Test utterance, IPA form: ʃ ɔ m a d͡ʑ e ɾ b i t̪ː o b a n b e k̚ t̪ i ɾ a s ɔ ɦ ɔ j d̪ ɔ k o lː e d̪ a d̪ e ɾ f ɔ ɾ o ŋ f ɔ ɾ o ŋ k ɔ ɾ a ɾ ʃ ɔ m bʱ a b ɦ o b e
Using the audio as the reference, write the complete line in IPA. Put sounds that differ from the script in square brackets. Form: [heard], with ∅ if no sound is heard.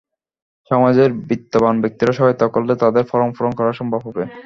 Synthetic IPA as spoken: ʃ ɔ m a d͡ʑ e ɾ b i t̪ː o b a n b e k̚ t̪ i ɾ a [ʃ] ɔ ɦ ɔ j [t̪] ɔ k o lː e [t̪] a d̪ e ɾ f ɔ ɾ o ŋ f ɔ ɾ o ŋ k ɔ ɾ a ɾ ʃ ɔ m bʱ a b ɦ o b e